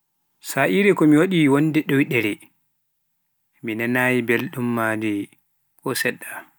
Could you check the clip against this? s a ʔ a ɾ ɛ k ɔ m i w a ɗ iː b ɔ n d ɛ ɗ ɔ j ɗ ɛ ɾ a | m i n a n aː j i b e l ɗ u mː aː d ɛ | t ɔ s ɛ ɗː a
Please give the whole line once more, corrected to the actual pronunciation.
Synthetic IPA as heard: s a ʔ i ɾ ɛ k ɔ m i w a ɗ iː w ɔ n d ɛ ɗ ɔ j ɗ ɛ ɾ ɛ | m i n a n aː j i b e l ɗ u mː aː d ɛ | k ɔ s ɛ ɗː a